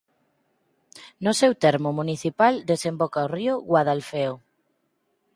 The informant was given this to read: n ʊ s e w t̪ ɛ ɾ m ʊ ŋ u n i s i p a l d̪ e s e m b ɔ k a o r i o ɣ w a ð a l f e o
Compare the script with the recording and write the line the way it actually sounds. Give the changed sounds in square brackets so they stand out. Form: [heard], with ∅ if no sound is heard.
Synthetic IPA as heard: n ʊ s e w t̪ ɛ ɾ m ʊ [m] u n i [θ] i p a l d̪ e s e m b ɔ k a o r i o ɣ w a ð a l f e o

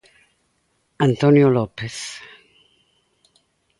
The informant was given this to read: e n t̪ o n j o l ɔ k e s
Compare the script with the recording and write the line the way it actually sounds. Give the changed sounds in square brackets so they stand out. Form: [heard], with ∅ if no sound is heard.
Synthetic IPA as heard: [a] n t̪ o n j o l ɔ [p] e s

